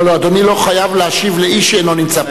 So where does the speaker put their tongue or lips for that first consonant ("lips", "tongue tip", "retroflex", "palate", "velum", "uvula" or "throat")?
tongue tip